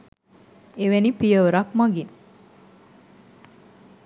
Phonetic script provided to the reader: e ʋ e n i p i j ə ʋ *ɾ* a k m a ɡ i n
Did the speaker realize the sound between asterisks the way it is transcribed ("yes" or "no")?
yes